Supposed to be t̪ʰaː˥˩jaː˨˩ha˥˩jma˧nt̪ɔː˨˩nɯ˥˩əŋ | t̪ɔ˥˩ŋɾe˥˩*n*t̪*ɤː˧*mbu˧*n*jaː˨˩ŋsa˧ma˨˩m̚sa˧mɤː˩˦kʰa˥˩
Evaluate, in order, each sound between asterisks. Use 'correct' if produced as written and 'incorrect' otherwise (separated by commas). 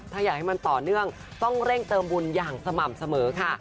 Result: incorrect, correct, correct